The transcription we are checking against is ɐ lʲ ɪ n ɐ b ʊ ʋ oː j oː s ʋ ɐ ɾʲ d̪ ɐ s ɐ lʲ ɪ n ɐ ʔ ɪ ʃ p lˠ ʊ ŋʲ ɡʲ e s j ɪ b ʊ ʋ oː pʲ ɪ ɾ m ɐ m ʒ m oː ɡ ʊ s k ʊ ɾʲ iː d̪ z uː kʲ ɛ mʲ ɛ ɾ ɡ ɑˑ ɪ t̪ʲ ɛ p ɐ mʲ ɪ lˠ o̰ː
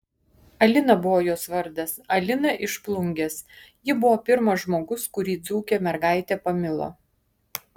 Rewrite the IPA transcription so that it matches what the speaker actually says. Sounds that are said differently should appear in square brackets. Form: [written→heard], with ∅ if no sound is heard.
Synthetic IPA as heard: ɐ lʲ ɪ n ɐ b ʊ ʋ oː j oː s ʋ ɐ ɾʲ d̪ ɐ s ɐ lʲ ɪ n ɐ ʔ ɪ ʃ p lˠ ʊ ŋʲ ɡʲ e s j ɪ b ʊ ʋ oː pʲ ɪ ɾ m ɐ [m→∅] ʒ m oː ɡ ʊ s k ʊ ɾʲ iː d̪ z uː kʲ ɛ mʲ ɛ ɾ ɡ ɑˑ ɪ t̪ʲ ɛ p ɐ mʲ ɪ lˠ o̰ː

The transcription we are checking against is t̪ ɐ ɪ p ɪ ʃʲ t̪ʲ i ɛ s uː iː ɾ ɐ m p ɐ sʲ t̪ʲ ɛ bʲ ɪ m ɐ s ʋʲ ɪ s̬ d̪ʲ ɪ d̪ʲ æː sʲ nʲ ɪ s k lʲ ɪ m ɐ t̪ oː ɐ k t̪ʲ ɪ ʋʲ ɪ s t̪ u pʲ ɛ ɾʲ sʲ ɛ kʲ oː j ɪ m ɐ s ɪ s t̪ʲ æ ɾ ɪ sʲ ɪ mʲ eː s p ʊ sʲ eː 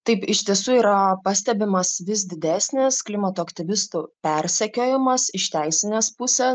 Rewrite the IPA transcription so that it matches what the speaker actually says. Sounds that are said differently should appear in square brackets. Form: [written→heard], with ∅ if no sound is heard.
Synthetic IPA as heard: t̪ ɐ ɪ p ɪ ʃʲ t̪ʲ i ɛ s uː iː ɾ ɐ [m→∅] p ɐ sʲ t̪ʲ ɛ bʲ ɪ m ɐ s ʋʲ ɪ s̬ d̪ʲ ɪ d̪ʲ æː sʲ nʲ ɪ s k lʲ ɪ m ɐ t̪ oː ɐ k t̪ʲ ɪ ʋʲ ɪ s t̪ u pʲ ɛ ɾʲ sʲ ɛ kʲ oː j ɪ m ɐ s ɪ [s→ʃ] t̪ʲ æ [ɾ→∅] ɪ sʲ ɪ [mʲ→nʲ] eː s p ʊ sʲ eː

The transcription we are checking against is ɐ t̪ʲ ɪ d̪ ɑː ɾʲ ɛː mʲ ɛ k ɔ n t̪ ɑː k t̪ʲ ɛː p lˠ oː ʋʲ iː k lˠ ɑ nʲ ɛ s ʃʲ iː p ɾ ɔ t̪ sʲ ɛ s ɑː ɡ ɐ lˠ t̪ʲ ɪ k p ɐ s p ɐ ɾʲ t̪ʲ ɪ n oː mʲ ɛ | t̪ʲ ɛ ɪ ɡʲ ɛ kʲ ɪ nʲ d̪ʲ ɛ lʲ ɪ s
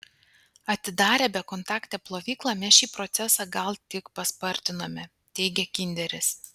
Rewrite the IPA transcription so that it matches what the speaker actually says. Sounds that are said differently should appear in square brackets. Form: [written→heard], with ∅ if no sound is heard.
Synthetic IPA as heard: ɐ t̪ʲ ɪ d̪ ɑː ɾʲ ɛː [mʲ→bʲ] ɛ k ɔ n t̪ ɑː k t̪ʲ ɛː p lˠ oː ʋʲ iː k lˠ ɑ [nʲ→mʲ] ɛ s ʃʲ iː p ɾ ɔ t̪ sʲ ɛ s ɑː ɡ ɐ lˠ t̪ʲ ɪ k p ɐ s p ɐ ɾʲ t̪ʲ ɪ n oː mʲ ɛ | t̪ʲ ɛ ɪ ɡʲ ɛ kʲ ɪ nʲ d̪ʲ ɛ [lʲ→ɾʲ] ɪ s

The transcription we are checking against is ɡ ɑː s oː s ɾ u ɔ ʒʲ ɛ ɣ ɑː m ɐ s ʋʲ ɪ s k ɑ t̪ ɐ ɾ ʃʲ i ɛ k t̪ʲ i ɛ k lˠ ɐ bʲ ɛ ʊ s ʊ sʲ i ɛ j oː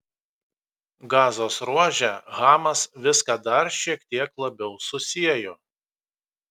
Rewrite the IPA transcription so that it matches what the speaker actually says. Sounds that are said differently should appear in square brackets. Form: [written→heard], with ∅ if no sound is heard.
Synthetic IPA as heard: ɡ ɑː [s→z] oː s ɾ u ɔ ʒʲ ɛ ɣ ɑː m ɐ s ʋʲ ɪ s k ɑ [t̪→d̪] ɐ ɾ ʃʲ i ɛ k t̪ʲ i ɛ k lˠ ɐ bʲ ɛ ʊ s ʊ sʲ i ɛ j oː

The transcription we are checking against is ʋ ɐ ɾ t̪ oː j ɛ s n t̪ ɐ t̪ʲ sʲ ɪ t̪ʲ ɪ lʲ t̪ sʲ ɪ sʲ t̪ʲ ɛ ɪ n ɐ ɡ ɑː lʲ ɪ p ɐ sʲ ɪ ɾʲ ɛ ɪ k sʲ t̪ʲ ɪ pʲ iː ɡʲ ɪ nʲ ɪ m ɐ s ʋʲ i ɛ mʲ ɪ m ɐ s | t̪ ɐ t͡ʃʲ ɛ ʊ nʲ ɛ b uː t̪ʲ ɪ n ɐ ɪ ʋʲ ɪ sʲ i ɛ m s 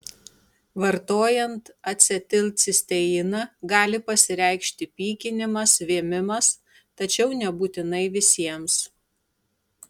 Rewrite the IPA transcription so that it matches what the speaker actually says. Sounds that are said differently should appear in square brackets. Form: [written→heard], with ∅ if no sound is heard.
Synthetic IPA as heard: ʋ ɐ ɾ t̪ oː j ɛ [s→∅] n t̪ ɐ t̪ʲ sʲ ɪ t̪ʲ ɪ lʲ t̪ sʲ ɪ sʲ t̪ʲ ɛ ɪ n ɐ ɡ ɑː lʲ ɪ p ɐ sʲ ɪ ɾʲ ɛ ɪ k [sʲ→ʃʲ] t̪ʲ ɪ pʲ iː [ɡʲ→kʲ] ɪ nʲ ɪ m ɐ s ʋʲ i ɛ mʲ ɪ m ɐ s | t̪ ɐ t͡ʃʲ ɛ ʊ nʲ ɛ b uː t̪ʲ ɪ n ɐ ɪ ʋʲ ɪ sʲ i ɛ m s

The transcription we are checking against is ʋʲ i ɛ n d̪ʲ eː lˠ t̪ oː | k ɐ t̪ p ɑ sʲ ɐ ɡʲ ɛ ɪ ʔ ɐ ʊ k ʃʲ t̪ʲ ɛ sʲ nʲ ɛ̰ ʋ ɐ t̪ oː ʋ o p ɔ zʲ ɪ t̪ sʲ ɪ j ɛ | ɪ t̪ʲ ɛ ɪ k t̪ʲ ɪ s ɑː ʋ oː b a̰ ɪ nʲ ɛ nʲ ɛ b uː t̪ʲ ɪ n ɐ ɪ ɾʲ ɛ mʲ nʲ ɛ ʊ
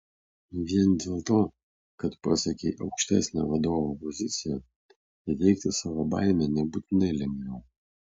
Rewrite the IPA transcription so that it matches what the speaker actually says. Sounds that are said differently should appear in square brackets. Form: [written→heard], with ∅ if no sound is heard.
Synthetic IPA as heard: ʋʲ i ɛ n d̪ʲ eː lˠ t̪ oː | k ɐ t̪ p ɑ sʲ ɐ [ɡʲ→kʲ] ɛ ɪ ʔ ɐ ʊ k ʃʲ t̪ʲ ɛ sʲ nʲ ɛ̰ ʋ ɐ [t̪→d̪] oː ʋ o p ɔ zʲ ɪ t̪ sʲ ɪ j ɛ | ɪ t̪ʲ ɛ ɪ k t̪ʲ ɪ s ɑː ʋ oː b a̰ ɪ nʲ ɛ nʲ ɛ b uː t̪ʲ ɪ n ɐ ɪ [ɾʲ→lʲ] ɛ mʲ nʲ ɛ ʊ

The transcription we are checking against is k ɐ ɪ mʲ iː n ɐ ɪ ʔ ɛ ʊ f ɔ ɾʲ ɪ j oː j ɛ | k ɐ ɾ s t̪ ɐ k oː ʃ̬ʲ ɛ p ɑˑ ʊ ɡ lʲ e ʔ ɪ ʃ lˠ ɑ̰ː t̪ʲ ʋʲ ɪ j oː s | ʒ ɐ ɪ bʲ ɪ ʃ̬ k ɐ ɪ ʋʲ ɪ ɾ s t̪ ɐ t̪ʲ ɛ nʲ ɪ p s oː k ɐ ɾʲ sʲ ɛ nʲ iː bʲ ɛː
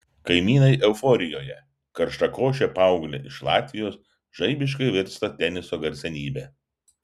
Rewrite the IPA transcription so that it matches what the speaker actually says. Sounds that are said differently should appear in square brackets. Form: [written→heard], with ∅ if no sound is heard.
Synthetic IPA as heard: k ɐ ɪ mʲ iː n ɐ ɪ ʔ ɛ ʊ f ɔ ɾʲ ɪ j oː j ɛ | k ɐ ɾ [s→ʃ] t̪ ɐ k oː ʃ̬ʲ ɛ p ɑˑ ʊ ɡ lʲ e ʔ ɪ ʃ lˠ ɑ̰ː t̪ʲ ʋʲ ɪ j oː s | ʒ ɐ ɪ bʲ ɪ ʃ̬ k ɐ ɪ ʋʲ ɪ ɾ s t̪ ɐ t̪ʲ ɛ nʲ ɪ [p→∅] s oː [k→ɡ] ɐ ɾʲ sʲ ɛ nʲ iː bʲ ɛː

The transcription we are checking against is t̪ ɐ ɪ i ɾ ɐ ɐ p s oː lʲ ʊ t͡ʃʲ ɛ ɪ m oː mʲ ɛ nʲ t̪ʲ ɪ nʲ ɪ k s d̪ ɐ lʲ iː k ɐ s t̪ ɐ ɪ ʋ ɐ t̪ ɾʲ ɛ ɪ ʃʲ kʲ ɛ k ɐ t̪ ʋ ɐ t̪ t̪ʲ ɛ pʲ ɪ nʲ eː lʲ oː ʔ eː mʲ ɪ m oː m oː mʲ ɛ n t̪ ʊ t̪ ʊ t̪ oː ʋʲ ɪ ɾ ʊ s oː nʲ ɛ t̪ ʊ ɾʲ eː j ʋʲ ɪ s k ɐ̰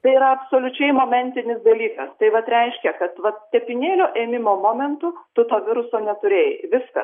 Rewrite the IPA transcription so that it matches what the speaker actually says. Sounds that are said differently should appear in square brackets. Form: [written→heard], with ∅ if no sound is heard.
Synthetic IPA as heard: t̪ ɐ ɪ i ɾ ɐ ɐ p s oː lʲ ʊ t͡ʃʲ ɛ ɪ m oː mʲ ɛ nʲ t̪ʲ ɪ nʲ ɪ [k→∅] s d̪ ɐ lʲ iː k ɐ s t̪ ɐ ɪ ʋ ɐ t̪ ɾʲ ɛ ɪ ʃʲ kʲ ɛ k ɐ t̪ ʋ ɐ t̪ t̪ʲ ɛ pʲ ɪ nʲ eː lʲ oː ʔ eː mʲ ɪ m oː m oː mʲ ɛ n t̪ ʊ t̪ ʊ t̪ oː ʋʲ ɪ ɾ ʊ s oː nʲ ɛ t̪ ʊ ɾʲ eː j ʋʲ ɪ s k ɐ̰

